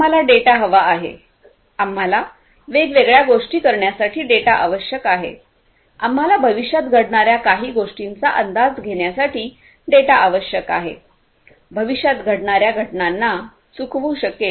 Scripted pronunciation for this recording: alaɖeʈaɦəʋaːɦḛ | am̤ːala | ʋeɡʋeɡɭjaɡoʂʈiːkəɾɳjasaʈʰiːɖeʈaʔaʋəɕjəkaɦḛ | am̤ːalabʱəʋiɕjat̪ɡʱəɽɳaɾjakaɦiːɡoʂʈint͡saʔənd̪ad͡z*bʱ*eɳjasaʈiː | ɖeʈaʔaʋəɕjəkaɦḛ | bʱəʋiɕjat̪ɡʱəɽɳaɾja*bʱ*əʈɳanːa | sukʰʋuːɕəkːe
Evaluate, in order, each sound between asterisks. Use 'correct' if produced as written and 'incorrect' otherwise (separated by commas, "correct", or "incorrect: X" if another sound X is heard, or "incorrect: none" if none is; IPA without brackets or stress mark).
incorrect: ɡʱ, incorrect: ɡʱ